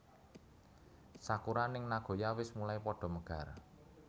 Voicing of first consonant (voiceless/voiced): voiceless